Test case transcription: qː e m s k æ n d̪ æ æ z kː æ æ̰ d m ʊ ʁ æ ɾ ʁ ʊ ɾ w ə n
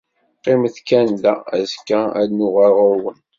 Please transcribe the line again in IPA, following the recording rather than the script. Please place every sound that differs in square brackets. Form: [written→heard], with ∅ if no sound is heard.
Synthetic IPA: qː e m [s→θ] k æ n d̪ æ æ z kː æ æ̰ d [m→n] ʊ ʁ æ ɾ ʁ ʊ ɾ w ə n